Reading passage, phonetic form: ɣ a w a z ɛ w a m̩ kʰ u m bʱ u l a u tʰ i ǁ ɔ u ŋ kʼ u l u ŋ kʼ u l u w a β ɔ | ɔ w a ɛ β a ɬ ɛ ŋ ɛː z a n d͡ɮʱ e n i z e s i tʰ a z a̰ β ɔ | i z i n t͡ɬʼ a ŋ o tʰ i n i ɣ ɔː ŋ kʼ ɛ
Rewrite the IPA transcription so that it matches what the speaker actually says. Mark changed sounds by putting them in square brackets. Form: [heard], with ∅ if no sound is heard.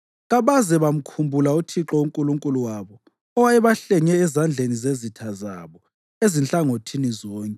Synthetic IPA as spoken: ɣ a [β] a z ɛ [β] a m̩ kʰ u m bʱ u l a u tʰ i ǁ ɔ u ŋ kʼ u l u ŋ kʼ u l u w a β ɔ | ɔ w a ɛ β a ɬ ɛ ŋ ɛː z a n d͡ɮʱ e n i z e [z] i tʰ a z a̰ β ɔ | [e] z i n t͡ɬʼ a ŋ o tʰ i n i [z] ɔː ŋ kʼ ɛ